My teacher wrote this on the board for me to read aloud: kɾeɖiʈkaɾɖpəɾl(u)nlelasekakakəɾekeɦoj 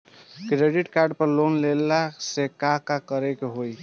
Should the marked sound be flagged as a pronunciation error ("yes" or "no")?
yes